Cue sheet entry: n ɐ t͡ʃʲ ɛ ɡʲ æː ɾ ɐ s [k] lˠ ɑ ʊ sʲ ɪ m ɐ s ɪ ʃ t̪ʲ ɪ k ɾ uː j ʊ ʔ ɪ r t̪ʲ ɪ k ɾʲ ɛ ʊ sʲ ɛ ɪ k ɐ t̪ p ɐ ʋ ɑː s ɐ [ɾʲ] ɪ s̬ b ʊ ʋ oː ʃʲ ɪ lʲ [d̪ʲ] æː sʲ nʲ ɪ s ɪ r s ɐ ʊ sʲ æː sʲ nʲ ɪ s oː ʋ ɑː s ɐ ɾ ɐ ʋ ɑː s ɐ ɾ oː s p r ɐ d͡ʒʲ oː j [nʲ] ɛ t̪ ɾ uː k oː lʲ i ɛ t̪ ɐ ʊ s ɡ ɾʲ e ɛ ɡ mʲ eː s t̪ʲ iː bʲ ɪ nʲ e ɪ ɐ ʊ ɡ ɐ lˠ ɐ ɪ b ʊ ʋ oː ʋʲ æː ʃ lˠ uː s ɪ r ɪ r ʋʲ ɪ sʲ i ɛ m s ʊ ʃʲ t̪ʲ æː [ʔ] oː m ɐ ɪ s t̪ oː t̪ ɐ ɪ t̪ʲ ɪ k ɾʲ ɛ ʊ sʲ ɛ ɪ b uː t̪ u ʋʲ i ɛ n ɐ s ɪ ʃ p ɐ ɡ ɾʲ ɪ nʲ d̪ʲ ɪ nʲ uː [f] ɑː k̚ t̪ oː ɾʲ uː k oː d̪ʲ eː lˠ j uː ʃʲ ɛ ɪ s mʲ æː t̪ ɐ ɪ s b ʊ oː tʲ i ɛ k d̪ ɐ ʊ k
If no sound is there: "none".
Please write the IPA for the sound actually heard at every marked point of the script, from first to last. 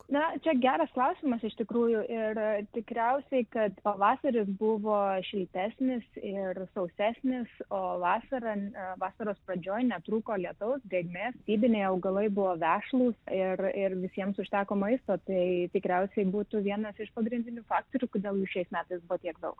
k, ɾʲ, t̪ʲ, nʲ, k, f

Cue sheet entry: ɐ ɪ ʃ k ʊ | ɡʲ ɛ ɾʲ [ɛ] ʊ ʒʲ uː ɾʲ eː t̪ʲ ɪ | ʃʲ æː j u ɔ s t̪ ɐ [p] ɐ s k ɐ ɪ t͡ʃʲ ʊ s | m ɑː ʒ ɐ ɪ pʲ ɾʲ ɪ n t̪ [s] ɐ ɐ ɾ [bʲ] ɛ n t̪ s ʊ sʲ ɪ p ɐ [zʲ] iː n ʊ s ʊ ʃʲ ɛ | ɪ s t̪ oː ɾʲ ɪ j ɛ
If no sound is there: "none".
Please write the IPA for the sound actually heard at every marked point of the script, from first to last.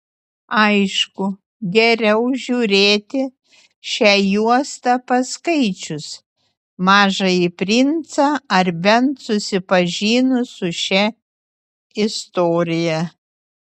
ɛ, p, s, bʲ, ʒʲ

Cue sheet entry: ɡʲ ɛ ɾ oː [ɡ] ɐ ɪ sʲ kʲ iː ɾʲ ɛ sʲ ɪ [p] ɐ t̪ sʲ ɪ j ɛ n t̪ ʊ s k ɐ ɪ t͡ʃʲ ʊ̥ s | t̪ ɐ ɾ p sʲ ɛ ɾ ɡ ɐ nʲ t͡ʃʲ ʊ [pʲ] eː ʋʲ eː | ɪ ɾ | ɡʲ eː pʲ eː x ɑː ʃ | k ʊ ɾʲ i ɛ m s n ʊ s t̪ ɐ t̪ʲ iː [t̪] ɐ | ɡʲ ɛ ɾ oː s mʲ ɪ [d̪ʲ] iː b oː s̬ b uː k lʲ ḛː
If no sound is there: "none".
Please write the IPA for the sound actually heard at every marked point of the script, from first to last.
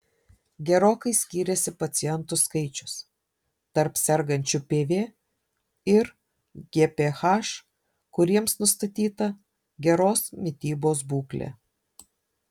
k, p, pʲ, t̪, t̪ʲ

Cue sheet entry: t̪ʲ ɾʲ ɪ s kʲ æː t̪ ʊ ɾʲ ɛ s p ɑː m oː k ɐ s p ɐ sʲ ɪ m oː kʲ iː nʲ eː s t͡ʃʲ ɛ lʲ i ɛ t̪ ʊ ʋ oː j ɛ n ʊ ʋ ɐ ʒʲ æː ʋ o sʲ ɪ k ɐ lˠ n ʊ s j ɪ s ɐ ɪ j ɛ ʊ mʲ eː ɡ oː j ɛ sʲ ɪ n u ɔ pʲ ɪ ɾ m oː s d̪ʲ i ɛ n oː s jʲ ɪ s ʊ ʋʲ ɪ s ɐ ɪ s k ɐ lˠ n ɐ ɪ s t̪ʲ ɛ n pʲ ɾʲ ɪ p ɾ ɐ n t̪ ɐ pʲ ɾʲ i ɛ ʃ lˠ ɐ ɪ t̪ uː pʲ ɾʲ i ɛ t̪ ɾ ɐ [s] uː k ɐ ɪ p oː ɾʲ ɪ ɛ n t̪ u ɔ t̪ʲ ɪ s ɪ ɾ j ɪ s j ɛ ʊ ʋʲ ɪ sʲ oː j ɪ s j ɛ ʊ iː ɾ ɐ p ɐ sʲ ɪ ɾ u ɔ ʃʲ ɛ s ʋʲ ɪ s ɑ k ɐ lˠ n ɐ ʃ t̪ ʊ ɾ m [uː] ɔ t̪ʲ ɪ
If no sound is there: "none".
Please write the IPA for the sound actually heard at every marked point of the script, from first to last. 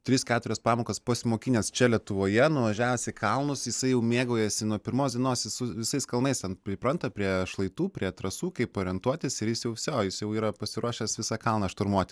s, u

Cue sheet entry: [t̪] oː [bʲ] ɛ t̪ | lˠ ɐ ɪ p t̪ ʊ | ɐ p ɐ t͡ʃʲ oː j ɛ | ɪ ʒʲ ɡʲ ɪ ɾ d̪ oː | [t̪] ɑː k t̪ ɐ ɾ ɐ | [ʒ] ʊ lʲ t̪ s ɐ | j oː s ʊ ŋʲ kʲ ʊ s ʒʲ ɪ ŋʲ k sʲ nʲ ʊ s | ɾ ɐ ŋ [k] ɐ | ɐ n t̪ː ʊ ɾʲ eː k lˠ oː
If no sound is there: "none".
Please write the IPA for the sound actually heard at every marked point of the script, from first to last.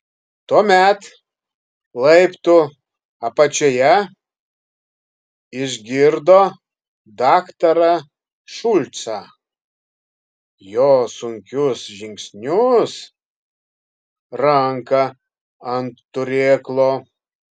t̪, mʲ, d̪, ʃ, k

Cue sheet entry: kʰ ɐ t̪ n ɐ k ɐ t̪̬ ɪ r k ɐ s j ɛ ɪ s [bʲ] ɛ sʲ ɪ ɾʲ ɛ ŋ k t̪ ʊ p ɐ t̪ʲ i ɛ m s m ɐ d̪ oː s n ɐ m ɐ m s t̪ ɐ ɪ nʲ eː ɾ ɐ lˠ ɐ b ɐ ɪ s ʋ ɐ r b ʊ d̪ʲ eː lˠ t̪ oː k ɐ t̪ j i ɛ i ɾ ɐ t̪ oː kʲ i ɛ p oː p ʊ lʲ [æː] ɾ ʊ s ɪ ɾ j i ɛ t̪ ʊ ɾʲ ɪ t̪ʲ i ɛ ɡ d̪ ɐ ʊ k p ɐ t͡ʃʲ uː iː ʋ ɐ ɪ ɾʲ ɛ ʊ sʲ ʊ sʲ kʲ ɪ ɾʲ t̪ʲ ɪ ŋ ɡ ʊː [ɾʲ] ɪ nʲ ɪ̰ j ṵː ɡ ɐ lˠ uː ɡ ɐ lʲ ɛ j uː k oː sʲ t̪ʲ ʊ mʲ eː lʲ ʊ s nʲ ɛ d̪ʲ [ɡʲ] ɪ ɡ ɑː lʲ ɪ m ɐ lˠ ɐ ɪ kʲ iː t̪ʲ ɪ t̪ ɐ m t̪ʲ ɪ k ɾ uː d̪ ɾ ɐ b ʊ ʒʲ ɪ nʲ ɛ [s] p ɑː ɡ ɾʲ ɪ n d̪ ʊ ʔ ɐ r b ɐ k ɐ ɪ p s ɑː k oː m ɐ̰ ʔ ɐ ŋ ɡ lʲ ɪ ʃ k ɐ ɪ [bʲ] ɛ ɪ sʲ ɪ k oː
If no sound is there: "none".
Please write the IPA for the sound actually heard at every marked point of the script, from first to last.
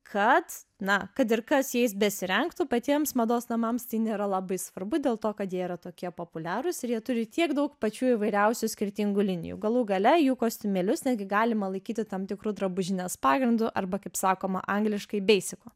bʲ, æː, lʲ, ɡʲ, s, bʲ

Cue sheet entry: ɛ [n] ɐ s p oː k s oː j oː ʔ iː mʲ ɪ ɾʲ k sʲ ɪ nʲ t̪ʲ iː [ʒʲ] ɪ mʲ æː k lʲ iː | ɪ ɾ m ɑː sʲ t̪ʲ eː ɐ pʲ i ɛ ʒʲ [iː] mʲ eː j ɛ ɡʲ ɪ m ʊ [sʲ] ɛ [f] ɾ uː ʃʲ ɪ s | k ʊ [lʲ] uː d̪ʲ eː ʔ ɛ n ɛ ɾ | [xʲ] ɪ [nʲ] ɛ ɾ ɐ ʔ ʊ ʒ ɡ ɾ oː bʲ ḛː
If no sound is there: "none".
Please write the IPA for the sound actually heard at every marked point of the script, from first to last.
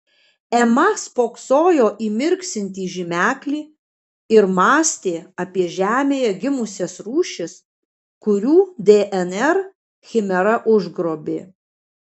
m, ʒʲ, æː, sʲ, s, ɾʲ, xʲ, mʲ

